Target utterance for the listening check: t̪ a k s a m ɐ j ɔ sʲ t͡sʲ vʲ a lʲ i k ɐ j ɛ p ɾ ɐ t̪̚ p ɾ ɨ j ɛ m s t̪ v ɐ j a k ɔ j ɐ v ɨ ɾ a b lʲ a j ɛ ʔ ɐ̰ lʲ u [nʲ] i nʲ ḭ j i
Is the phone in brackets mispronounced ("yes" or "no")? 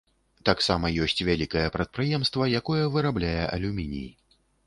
yes